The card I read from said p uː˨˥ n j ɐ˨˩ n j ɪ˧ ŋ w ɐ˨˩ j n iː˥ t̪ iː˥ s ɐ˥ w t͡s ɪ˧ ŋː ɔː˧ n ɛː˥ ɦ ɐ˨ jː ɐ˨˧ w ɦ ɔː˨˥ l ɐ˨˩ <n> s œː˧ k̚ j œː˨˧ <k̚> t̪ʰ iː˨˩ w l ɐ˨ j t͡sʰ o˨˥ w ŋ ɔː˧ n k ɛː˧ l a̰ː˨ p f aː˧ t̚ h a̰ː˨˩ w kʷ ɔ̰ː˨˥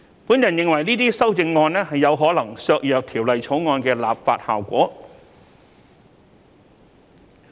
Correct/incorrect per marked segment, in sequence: incorrect: ŋ, correct

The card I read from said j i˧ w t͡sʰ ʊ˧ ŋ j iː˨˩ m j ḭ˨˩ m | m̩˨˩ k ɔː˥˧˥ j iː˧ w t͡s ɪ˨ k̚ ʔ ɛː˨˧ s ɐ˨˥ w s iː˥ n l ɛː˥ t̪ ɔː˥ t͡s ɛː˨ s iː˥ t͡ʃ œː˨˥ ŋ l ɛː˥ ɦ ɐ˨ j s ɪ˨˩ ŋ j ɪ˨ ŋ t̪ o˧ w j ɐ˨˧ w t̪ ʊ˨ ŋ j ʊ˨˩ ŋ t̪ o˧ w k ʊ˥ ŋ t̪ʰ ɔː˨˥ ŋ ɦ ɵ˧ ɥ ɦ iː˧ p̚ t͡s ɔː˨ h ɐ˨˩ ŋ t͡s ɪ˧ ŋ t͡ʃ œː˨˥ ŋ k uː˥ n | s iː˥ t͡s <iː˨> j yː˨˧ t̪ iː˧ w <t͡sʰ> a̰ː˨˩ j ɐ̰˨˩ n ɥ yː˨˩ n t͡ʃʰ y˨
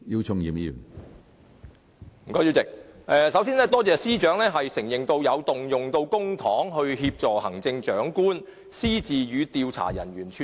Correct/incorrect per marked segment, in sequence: correct, correct

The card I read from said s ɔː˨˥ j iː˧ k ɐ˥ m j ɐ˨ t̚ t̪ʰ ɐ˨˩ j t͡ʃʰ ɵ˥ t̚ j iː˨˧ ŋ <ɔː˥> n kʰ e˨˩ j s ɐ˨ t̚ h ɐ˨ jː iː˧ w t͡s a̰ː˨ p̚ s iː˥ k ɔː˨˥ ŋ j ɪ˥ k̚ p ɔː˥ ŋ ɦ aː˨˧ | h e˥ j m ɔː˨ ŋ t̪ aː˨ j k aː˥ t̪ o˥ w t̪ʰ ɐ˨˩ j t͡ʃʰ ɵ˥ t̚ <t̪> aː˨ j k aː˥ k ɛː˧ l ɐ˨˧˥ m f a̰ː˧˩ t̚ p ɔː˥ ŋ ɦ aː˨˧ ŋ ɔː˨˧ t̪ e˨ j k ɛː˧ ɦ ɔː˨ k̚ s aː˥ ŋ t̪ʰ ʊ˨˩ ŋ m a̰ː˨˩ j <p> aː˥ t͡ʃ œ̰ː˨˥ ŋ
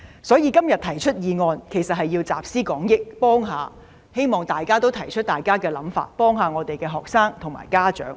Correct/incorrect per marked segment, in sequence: incorrect: ɔː˧, correct, incorrect: k

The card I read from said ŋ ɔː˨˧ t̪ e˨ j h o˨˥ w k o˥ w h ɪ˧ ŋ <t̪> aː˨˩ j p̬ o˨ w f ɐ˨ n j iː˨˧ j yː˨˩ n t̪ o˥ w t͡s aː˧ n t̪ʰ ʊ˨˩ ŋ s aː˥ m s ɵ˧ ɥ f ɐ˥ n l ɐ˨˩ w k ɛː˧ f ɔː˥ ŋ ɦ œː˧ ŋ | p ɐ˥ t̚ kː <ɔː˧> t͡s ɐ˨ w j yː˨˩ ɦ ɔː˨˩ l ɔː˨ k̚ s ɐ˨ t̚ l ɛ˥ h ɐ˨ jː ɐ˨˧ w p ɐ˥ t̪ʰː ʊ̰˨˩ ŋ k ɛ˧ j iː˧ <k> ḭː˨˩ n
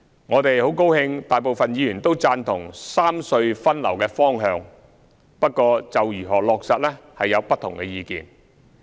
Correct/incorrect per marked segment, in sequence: correct, correct, correct

